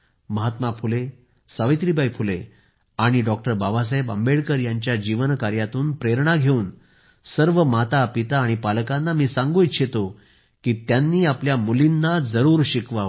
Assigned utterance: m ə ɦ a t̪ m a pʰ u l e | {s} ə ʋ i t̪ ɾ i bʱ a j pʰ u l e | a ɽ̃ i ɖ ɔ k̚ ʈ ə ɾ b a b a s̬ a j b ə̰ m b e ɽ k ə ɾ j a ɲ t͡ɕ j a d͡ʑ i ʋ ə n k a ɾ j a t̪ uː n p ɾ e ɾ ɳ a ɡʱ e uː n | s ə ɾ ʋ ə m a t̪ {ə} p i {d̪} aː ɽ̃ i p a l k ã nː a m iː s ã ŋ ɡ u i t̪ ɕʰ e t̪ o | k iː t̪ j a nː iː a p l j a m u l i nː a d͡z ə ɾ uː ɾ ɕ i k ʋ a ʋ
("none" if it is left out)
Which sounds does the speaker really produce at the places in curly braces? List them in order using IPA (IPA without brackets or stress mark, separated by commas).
s, a, t̪